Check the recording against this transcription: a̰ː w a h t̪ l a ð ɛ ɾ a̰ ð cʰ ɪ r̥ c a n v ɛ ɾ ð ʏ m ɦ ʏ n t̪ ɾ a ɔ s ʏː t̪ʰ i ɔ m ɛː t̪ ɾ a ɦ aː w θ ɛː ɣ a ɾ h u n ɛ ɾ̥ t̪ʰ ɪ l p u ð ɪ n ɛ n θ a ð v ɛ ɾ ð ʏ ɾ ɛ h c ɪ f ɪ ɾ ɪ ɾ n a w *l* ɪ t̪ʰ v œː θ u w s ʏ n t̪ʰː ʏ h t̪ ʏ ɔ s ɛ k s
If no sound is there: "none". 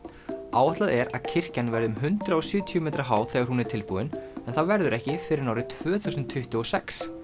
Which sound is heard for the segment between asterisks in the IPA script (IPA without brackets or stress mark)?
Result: ɾ